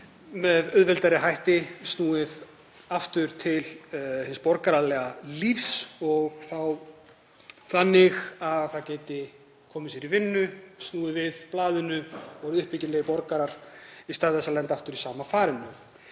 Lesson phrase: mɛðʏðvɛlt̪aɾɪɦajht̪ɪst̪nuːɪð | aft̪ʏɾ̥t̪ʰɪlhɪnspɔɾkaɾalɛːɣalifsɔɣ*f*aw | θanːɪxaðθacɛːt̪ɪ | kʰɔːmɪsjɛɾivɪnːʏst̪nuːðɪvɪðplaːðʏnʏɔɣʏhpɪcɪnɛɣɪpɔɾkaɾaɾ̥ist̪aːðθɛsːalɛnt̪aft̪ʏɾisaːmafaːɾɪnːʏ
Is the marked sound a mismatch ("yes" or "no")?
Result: yes